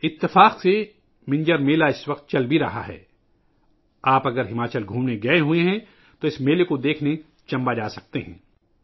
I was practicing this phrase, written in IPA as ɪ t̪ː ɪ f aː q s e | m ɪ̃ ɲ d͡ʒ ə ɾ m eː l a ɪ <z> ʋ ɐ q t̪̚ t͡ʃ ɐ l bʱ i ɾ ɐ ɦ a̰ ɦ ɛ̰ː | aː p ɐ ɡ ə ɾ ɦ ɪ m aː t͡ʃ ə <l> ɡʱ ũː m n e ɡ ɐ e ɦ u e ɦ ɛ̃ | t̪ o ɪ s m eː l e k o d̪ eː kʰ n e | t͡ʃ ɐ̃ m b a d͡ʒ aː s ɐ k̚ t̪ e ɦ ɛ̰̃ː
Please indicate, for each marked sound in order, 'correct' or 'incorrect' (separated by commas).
incorrect, correct